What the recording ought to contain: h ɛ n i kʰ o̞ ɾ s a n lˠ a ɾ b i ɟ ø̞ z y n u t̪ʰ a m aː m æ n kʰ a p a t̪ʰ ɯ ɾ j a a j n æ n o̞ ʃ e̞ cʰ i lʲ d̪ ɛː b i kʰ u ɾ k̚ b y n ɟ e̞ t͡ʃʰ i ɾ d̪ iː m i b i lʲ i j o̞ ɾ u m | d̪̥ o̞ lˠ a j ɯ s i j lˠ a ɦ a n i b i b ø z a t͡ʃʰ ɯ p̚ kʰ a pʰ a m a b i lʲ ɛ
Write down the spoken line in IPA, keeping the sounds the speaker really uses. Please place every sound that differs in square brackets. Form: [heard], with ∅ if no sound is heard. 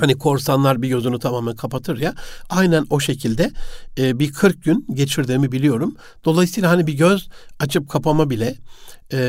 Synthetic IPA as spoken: h [a] n i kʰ o̞ ɾ s a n lˠ a ɾ b i ɟ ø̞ z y n u t̪ʰ a m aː m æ n kʰ a p a t̪ʰ ɯ ɾ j a a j n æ n o̞ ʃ e̞ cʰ i lʲ d̪ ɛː b i kʰ [ɯ] ɾ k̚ [ɟ] y n ɟ e̞ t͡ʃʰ i ɾ d̪ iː m i b i lʲ i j o̞ ɾ u m | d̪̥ o̞ lˠ a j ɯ s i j lˠ a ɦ a n i b i [ɟ] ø z a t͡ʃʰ ɯ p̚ kʰ a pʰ a m a b i lʲ ɛ